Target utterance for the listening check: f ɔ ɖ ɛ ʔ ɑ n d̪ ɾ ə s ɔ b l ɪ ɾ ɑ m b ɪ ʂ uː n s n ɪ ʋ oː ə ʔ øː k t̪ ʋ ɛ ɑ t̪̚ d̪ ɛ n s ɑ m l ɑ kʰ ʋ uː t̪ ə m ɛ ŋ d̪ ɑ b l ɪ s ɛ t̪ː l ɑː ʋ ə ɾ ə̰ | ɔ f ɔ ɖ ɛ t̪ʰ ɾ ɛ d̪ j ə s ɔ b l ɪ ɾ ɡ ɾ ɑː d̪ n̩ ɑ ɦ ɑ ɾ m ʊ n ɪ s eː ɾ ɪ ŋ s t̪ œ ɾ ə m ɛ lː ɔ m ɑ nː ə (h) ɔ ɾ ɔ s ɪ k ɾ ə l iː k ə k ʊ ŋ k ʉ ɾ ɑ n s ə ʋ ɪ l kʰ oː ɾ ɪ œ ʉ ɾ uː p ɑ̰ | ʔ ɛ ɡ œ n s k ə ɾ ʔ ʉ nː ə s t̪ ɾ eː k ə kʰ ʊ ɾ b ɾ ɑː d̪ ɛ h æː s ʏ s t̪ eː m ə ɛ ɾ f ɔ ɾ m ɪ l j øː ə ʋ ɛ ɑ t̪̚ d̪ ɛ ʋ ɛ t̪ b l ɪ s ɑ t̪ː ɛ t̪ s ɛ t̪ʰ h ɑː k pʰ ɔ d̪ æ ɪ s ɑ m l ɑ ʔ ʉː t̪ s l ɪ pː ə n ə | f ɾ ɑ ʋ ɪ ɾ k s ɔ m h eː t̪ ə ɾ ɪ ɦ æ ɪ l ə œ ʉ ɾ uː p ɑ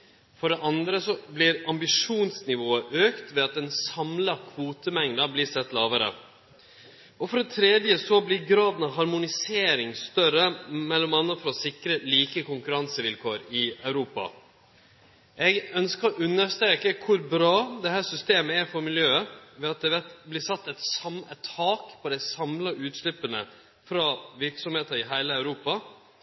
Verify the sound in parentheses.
incorrect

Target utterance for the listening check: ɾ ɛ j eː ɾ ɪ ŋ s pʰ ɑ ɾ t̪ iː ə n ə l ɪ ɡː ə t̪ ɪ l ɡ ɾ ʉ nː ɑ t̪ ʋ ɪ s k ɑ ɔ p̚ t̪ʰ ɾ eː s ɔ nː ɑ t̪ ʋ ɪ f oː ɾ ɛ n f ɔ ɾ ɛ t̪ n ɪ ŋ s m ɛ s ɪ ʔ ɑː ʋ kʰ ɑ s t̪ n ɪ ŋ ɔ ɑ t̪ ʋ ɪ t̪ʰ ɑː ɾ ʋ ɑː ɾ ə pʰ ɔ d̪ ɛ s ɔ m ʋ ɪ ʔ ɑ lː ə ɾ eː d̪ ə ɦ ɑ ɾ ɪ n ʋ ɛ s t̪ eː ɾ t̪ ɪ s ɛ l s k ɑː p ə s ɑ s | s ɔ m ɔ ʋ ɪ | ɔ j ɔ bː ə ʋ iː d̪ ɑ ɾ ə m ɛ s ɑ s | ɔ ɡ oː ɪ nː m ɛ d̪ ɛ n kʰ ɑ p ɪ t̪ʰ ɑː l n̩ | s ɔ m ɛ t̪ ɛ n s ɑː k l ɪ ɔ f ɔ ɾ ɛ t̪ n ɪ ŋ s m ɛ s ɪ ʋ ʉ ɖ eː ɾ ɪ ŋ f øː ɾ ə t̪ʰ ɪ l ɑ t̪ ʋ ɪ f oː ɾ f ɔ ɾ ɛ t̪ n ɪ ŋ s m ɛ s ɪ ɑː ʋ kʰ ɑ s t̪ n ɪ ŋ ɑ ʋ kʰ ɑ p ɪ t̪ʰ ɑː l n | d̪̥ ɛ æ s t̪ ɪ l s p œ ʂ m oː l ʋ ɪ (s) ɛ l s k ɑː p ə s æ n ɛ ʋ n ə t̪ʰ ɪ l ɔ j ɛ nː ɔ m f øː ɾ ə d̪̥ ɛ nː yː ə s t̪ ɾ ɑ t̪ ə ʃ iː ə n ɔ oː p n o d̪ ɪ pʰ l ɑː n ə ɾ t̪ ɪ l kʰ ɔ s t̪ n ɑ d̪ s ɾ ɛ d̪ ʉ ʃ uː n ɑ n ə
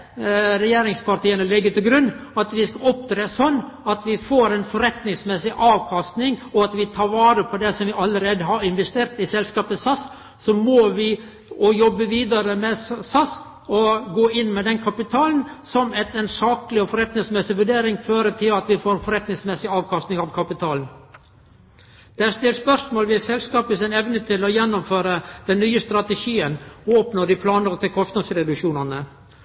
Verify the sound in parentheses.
correct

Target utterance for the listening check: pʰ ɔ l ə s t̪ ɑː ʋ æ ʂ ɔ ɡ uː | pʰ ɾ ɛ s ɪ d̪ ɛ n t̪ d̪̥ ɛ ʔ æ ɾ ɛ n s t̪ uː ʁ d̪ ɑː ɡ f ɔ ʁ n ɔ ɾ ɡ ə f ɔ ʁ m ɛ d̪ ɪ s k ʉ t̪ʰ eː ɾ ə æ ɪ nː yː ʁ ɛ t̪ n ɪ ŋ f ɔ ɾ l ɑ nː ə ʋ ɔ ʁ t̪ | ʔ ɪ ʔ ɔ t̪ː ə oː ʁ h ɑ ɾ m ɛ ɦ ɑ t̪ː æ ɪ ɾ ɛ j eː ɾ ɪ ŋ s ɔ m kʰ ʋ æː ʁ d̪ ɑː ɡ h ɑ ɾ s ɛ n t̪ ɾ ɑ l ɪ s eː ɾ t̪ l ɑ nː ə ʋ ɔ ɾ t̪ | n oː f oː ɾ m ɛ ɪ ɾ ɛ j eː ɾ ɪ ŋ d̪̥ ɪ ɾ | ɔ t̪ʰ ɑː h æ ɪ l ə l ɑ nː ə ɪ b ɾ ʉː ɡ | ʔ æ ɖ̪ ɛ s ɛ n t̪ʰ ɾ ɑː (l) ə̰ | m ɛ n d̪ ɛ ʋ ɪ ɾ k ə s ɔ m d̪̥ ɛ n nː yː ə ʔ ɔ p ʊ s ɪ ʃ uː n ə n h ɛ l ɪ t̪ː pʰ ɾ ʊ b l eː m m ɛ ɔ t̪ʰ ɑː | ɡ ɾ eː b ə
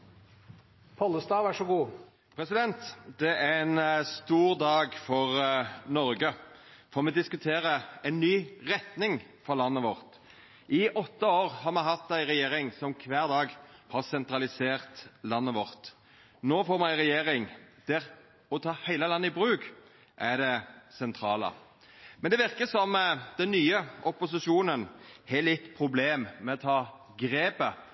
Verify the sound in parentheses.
correct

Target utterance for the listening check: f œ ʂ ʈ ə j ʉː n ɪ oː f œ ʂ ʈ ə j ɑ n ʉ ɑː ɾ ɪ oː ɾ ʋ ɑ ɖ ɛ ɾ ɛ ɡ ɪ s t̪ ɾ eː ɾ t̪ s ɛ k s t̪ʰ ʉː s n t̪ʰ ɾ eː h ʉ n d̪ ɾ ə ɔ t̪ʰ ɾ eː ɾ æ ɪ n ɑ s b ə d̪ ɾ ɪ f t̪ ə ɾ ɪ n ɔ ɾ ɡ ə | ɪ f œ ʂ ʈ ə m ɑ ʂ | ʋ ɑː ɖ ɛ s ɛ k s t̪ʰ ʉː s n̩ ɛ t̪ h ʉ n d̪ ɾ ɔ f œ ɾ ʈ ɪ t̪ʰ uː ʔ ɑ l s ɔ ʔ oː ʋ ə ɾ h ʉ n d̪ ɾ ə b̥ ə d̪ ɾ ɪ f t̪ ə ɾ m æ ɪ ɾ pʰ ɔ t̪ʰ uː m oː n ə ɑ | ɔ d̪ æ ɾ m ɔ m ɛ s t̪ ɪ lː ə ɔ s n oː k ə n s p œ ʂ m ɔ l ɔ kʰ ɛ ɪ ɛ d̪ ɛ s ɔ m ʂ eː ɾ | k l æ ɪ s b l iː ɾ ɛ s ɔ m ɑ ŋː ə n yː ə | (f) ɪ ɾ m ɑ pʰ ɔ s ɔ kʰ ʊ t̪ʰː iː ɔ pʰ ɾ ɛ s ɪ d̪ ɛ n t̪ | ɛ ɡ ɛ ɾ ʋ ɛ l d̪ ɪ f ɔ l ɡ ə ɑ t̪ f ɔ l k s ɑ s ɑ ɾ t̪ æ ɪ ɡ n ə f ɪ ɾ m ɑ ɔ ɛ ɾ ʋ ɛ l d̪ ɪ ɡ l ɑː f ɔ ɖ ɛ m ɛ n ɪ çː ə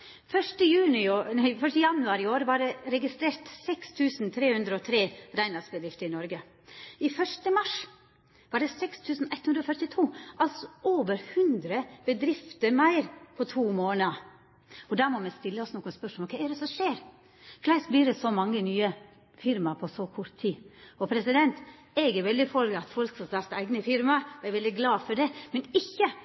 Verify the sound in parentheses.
correct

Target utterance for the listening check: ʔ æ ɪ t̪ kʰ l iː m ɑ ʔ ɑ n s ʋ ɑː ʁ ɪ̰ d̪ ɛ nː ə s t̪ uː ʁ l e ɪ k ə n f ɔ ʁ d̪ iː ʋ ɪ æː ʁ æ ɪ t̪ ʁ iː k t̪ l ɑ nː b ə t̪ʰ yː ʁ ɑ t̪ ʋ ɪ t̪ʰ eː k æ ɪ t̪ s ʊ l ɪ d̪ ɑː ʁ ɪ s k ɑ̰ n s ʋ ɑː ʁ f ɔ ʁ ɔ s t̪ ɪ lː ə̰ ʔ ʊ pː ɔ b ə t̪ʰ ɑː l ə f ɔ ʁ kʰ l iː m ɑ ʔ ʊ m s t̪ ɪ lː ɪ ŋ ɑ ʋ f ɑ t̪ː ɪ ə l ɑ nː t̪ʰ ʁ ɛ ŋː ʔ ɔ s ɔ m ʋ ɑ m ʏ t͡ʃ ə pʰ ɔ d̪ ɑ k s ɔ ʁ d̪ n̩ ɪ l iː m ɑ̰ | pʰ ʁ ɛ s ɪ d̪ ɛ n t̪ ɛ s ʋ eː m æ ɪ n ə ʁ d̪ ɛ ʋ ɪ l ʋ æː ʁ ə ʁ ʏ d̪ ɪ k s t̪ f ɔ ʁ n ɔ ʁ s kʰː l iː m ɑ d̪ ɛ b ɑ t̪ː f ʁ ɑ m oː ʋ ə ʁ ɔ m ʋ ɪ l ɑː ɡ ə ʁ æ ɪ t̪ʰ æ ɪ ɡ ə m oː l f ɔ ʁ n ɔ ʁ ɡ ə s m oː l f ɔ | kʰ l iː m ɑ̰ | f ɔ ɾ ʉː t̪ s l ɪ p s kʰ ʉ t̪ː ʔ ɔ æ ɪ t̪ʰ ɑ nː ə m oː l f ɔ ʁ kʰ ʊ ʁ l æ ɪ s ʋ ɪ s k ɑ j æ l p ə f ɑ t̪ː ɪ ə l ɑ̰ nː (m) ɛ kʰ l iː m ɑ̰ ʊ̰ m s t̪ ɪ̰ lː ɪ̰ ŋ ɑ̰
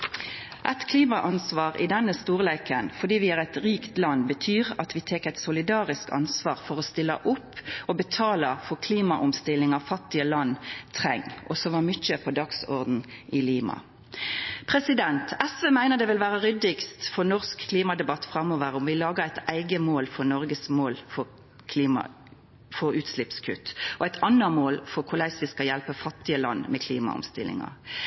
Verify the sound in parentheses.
correct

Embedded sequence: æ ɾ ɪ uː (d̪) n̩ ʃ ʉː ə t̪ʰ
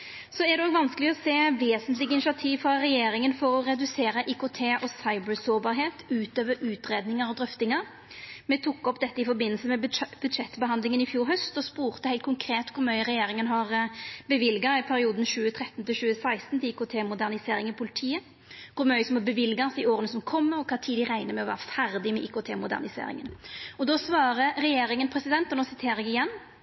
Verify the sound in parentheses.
correct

